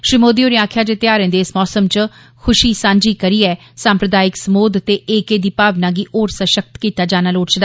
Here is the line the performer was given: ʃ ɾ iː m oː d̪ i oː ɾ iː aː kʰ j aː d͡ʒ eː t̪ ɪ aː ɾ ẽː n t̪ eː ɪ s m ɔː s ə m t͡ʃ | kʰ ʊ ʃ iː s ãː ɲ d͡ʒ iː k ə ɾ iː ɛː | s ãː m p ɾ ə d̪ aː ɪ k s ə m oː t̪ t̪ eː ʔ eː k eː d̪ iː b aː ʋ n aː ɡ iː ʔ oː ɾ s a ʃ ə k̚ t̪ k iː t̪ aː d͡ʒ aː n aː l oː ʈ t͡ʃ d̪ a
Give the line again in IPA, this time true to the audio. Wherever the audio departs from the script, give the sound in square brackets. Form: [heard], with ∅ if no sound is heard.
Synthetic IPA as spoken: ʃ ɾ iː m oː d̪ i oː ɾ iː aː kʰ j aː d͡ʒ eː t̪ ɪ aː ɾ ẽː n [d̪] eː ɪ s m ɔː s ə m t͡ʃ | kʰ ʊ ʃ iː s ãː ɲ d͡ʒ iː k ə ɾ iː ɛː | s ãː m p ɾ ə d̪ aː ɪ k s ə m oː [d̪] t̪ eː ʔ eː k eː d̪ iː [p] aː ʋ n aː ɡ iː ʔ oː ɾ s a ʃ ə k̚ t̪ k iː t̪ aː d͡ʒ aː n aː l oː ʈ t͡ʃ d̪ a